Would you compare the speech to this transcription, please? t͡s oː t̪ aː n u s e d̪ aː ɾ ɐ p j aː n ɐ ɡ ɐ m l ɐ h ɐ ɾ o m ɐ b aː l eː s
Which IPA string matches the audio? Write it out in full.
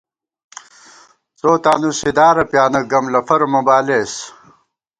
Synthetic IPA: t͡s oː t̪ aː n u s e d̪ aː ɾ ɐ p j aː n ɐ ɡ ɐ m l ɐ f ɐ ɾ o m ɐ b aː l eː s